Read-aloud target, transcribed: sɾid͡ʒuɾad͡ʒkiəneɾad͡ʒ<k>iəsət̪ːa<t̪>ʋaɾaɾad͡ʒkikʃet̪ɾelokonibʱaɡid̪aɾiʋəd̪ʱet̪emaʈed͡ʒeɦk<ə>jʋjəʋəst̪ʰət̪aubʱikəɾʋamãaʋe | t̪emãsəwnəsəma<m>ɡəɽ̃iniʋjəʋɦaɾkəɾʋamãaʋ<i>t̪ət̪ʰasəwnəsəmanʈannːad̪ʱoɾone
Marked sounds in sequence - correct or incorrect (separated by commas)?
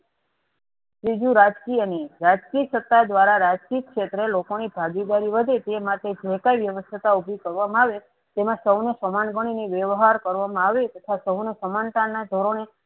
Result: correct, incorrect, incorrect, incorrect, incorrect